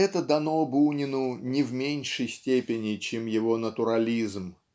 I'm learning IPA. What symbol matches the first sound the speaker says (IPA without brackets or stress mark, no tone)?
ɛ